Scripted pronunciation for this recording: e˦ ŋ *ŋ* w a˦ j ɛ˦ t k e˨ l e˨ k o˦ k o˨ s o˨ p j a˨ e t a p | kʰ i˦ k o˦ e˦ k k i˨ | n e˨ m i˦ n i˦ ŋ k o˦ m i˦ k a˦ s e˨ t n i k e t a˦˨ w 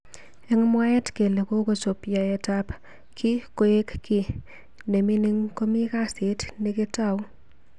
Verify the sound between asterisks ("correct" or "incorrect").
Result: incorrect